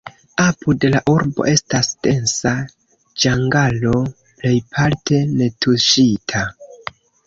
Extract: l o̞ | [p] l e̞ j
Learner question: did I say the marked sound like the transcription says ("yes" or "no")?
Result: yes